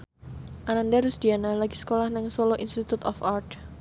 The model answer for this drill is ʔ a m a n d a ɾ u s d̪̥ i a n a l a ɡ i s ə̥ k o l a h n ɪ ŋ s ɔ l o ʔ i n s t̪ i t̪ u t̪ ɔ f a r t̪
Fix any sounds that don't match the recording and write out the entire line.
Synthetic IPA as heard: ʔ a n a n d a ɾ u s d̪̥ i a n a l a ɡ i s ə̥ k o l a h n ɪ ŋ s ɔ l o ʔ i n s t̪ i t̪ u t̪ ɔ f a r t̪